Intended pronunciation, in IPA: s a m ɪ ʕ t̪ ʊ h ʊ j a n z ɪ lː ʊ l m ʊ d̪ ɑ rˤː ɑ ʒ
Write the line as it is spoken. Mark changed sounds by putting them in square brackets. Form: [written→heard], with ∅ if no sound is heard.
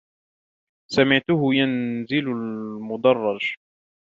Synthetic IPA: s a m ɪ ʕ t̪ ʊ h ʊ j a n z ɪ [lː→l] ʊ l m ʊ d̪ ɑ rˤː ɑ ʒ

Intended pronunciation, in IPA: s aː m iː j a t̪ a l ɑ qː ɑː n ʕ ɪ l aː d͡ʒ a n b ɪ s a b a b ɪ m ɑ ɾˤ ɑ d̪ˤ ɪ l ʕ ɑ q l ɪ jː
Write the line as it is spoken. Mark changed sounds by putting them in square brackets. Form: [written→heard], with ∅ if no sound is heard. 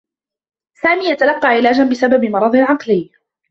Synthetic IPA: s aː m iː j a t̪ a l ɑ qː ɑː [n→∅] ʕ ɪ l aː d͡ʒ a n b ɪ s a b a b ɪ m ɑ ɾˤ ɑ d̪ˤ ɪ l ʕ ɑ q l ɪ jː

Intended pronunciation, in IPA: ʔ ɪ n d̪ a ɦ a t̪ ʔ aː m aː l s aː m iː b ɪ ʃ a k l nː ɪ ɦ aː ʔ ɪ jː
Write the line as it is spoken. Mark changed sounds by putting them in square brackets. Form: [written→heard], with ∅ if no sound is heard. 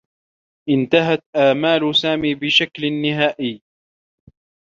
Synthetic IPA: ʔ ɪ n [d̪→t̪] a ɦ a t̪ ʔ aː m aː l s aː m iː b ɪ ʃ a k l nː ɪ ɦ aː ʔ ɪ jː

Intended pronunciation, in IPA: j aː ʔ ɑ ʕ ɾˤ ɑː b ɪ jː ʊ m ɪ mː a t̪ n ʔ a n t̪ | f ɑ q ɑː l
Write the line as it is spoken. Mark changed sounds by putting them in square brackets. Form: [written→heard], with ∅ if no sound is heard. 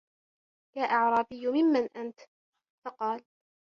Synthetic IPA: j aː ʔ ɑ ʕ ɾˤ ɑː b ɪ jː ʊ m ɪ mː a [t̪→∅] n ʔ a n t̪ | f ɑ q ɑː l

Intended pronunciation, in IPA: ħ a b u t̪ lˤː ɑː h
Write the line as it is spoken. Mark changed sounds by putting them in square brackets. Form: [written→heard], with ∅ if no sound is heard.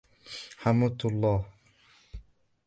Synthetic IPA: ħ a [b→m] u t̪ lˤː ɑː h

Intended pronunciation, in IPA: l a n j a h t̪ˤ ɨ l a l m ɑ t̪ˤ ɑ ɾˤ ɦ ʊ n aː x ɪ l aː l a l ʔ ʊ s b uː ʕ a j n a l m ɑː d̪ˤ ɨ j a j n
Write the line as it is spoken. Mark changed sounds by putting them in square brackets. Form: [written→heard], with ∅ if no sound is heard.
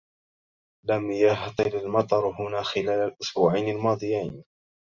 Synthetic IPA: l a [n→m] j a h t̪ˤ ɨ l a l m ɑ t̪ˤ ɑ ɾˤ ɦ ʊ n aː x ɪ l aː l a l ʔ ʊ s b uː ʕ a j n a l m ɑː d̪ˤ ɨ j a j n

